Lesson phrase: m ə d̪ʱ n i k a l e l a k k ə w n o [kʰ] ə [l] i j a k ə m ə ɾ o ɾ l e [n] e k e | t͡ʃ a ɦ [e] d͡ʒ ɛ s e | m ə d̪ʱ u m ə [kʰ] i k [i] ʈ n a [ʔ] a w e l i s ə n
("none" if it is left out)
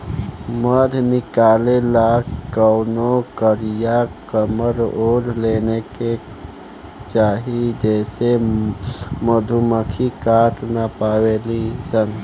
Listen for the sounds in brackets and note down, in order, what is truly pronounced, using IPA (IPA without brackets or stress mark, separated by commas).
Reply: k, ɾ, n, i, kʰ, a, p